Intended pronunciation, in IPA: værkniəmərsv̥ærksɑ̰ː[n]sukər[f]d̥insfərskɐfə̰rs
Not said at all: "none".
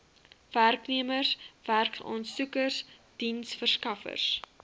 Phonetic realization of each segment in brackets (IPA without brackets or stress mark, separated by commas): n, s